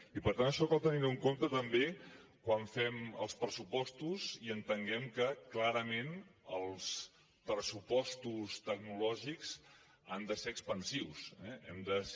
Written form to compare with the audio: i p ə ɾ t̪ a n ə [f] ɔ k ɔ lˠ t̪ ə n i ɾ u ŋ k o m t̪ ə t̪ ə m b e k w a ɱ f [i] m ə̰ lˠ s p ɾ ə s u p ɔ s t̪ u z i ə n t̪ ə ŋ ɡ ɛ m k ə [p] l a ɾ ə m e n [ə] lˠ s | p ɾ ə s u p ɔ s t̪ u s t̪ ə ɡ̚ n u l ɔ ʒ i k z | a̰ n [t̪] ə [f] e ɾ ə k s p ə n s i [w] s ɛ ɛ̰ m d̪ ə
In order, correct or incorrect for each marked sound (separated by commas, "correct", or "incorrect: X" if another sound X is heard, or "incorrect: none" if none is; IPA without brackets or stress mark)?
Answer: incorrect: ʃ, incorrect: ɛ, incorrect: k, correct, incorrect: d̪, incorrect: s, correct